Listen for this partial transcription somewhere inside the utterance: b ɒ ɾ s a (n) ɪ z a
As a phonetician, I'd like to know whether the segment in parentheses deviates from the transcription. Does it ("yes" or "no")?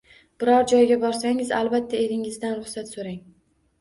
yes